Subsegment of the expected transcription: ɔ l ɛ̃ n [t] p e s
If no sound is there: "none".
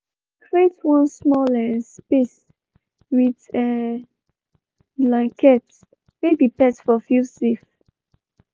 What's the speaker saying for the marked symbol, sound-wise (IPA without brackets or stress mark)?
s